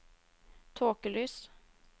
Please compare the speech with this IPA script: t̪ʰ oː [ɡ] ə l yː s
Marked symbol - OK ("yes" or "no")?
no